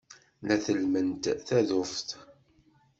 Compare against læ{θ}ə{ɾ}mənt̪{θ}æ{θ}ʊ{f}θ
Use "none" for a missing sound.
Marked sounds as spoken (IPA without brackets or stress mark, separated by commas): θ, l, θ, ð, f